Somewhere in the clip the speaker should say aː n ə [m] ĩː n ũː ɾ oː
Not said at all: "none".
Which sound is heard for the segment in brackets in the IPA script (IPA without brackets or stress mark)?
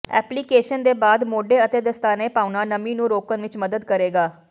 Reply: m